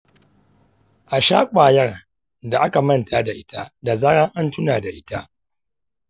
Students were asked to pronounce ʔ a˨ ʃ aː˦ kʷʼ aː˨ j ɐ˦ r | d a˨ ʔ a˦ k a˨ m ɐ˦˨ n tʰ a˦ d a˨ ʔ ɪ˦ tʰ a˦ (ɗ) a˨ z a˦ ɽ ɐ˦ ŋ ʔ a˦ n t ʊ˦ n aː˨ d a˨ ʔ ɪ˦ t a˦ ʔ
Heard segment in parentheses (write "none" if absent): d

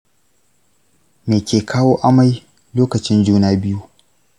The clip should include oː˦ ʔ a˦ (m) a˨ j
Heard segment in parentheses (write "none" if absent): m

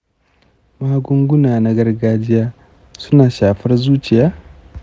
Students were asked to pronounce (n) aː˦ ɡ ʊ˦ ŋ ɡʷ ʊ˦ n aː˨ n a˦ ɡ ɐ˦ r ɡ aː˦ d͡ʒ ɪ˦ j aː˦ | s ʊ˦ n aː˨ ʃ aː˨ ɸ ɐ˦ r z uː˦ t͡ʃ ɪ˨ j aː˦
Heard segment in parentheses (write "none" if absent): m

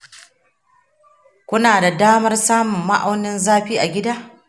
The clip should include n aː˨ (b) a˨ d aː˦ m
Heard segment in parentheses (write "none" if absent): d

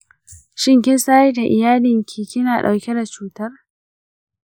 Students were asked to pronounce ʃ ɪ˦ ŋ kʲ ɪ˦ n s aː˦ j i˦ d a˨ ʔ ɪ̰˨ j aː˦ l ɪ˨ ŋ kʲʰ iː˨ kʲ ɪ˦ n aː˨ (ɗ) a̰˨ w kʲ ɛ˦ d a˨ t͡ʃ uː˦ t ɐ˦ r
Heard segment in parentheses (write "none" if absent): ɗ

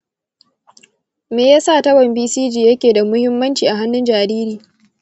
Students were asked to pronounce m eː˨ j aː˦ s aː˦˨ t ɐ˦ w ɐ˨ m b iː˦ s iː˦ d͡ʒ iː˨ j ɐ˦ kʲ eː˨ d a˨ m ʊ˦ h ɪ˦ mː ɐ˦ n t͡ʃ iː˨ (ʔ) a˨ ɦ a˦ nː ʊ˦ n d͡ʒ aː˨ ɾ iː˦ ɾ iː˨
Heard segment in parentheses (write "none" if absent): ʔ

